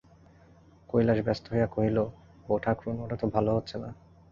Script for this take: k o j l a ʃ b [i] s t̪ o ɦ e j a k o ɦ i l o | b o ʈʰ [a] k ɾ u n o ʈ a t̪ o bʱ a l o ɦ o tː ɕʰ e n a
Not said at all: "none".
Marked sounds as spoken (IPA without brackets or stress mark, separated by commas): ɛ, a